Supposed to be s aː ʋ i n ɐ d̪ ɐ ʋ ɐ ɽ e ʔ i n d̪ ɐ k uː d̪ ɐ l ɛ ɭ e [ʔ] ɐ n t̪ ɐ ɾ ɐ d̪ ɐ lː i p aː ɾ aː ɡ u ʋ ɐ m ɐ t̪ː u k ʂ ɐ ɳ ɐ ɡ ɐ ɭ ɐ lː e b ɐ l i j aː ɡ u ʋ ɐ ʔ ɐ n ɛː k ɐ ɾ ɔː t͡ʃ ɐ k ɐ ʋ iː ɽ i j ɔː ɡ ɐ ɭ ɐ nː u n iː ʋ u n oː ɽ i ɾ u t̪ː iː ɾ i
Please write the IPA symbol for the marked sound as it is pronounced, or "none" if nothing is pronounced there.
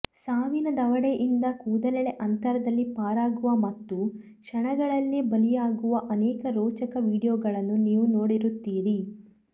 ʔ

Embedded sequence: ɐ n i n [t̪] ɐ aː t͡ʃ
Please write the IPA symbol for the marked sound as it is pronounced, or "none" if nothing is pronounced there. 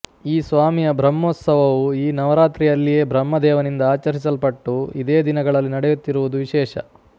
d̪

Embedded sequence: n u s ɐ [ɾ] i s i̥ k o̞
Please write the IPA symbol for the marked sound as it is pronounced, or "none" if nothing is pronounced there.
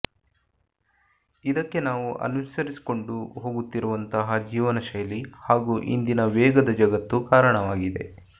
ɾ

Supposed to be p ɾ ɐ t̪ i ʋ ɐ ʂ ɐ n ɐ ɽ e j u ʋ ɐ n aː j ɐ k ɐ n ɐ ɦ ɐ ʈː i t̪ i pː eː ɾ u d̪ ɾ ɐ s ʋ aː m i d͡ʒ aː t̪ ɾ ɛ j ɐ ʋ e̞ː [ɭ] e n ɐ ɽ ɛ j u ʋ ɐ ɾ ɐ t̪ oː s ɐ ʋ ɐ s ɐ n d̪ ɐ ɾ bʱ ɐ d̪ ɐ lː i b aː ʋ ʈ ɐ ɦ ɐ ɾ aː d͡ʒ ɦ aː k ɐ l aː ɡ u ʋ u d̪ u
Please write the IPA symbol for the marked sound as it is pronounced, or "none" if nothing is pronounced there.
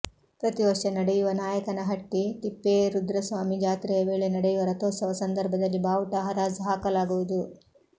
ɭ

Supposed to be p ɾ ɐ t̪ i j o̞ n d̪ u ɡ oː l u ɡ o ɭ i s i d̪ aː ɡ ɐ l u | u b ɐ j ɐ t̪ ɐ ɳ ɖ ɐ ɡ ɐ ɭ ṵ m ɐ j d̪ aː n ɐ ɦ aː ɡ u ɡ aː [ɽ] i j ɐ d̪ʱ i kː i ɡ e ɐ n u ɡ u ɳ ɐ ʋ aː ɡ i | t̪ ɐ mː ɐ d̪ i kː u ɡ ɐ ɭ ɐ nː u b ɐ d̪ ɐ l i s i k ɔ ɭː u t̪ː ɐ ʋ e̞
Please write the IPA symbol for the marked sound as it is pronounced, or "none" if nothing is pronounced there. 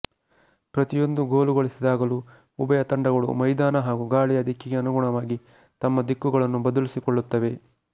ɭ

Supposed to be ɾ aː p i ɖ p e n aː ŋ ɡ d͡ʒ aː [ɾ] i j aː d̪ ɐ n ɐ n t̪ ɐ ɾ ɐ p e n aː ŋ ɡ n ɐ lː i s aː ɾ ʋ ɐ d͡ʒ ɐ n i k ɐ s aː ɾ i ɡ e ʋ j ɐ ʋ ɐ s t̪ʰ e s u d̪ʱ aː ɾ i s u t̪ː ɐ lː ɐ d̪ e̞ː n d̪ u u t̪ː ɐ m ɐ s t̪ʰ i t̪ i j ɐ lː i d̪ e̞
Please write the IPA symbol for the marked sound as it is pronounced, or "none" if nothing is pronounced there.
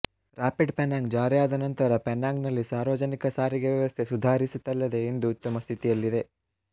ɾ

